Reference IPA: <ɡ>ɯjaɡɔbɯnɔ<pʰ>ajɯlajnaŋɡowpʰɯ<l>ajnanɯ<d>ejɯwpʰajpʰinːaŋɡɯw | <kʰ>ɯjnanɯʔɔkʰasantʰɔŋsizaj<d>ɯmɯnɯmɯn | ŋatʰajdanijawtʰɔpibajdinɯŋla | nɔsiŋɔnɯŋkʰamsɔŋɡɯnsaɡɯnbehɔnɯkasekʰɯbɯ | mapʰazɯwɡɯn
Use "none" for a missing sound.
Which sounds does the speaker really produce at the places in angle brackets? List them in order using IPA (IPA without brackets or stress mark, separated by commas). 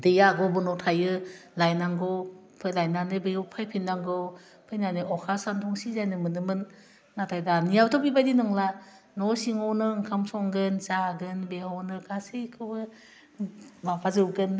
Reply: d, tʰ, l, b, pʰ, n